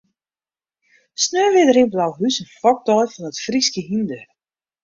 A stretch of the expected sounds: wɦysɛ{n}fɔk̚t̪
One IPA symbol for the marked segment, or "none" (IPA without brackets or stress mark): n